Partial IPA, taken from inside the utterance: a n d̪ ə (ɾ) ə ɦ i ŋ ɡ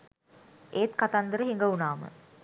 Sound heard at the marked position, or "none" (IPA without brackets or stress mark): ɾ